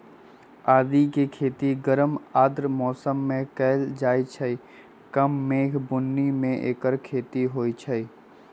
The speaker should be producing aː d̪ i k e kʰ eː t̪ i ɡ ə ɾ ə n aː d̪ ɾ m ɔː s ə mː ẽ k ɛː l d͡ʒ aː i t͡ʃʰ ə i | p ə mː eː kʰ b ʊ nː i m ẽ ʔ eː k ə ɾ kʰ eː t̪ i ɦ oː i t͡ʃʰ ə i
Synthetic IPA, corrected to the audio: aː d̪ i k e kʰ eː t̪ i ɡ ə ɾ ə m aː d̪ ɾ m ɔː s ə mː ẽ k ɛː l d͡ʒ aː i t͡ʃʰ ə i | k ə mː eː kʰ b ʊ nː i m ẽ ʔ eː k ə ɾ kʰ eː t̪ i ɦ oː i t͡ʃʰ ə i